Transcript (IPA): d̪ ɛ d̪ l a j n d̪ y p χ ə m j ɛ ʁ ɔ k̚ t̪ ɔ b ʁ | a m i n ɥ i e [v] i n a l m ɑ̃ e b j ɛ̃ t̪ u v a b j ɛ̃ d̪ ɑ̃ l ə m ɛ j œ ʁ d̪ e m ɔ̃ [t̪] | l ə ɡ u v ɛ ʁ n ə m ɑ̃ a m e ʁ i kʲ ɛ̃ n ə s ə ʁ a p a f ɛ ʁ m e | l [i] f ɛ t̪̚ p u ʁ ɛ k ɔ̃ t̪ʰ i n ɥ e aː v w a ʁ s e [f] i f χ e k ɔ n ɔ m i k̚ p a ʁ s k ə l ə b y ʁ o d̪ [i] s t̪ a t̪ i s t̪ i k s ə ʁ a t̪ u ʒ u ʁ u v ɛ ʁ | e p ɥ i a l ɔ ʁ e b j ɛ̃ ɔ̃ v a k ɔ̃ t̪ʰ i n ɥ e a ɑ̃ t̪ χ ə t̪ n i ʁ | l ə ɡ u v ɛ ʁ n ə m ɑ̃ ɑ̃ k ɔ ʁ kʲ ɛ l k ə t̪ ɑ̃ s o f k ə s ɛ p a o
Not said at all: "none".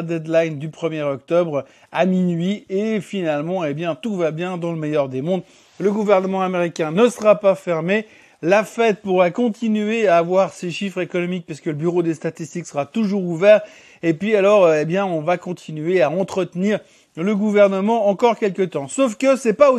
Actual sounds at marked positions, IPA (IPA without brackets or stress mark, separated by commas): f, d̪, a, ʃ, e